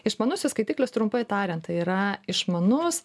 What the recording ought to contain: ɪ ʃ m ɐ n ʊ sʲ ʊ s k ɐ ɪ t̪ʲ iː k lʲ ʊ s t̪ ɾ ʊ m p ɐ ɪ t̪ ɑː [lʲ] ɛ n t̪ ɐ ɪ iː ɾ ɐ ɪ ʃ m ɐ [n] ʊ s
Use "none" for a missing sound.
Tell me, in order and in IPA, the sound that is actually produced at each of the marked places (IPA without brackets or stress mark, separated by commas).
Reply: ɾʲ, n